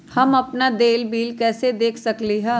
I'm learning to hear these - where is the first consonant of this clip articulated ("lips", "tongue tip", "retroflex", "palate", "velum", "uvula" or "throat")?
throat